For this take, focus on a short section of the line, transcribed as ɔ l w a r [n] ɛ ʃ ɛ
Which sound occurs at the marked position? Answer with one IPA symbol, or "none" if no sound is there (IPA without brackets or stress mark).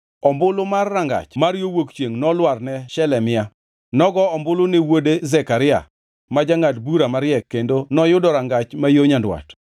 n